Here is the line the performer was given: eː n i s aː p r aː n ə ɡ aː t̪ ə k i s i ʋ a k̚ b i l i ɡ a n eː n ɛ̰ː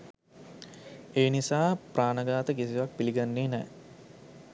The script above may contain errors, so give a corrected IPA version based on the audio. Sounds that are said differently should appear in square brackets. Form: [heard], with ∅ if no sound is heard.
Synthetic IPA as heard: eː n i s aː p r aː n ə ɡ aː t̪ ə k i s i ʋ a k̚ [p] i l i ɡ a [nː] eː n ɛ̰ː